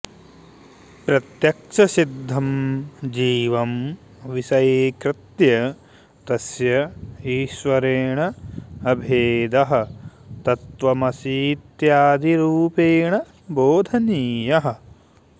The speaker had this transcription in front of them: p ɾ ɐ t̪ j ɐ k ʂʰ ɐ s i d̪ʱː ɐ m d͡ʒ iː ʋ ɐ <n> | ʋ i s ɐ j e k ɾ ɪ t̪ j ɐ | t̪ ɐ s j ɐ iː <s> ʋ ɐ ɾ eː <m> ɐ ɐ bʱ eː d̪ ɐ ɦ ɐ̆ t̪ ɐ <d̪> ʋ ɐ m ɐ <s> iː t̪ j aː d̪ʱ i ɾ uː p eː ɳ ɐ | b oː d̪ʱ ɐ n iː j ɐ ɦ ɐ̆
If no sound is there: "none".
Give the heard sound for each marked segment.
m, ʃ, ɳ, t̪, s

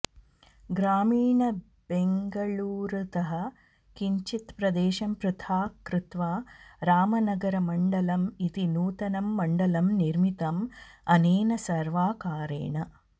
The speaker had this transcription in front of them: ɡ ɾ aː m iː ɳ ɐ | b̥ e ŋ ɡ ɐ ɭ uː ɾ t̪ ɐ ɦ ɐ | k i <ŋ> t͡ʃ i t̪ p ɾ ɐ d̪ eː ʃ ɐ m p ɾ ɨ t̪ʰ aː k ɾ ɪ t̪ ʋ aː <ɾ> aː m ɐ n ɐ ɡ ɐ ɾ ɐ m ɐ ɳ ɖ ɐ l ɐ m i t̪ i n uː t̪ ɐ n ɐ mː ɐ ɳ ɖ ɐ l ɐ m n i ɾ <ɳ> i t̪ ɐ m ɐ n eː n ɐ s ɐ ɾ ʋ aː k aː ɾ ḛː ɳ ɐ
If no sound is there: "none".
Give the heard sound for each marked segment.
ɲ, ɾ, m

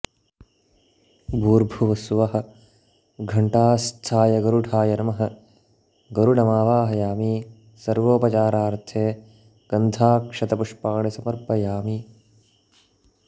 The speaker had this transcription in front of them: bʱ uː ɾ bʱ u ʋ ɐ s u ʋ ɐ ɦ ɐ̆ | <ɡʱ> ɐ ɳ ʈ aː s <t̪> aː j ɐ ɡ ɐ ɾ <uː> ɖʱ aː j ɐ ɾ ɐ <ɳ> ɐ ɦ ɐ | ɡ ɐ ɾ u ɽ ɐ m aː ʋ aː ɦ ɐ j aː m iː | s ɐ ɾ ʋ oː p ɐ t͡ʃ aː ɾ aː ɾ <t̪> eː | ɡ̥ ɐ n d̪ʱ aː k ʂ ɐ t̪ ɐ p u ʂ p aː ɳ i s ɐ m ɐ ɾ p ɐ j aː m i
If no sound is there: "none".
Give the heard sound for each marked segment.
ɡʱ, t̪ʰ, u, m, t̪ʰ

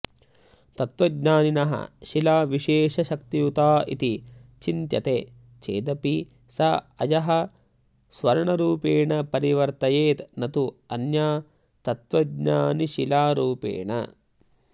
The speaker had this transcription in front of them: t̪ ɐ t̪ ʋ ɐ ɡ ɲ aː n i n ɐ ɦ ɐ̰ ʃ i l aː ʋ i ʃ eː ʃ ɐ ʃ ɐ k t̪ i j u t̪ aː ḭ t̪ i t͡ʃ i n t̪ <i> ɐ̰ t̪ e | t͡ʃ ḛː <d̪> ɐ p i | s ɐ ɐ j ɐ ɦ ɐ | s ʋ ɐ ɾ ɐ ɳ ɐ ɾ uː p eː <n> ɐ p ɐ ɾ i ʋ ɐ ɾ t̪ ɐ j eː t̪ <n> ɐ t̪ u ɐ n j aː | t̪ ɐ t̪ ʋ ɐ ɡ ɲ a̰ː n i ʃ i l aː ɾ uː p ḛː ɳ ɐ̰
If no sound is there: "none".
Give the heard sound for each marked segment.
j, d̪, ɳ, n

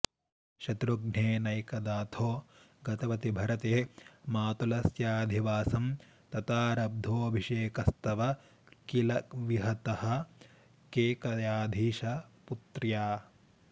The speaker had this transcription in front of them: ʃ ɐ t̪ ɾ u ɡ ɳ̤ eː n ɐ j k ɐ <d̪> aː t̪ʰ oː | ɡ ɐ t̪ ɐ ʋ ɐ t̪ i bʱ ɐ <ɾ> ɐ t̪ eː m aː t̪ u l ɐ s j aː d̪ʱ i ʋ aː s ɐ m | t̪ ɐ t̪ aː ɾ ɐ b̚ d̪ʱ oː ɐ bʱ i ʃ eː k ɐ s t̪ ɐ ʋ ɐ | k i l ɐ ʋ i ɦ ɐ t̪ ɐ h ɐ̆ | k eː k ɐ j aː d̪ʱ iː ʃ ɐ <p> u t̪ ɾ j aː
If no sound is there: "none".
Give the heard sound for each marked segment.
d̪, ɾ, p

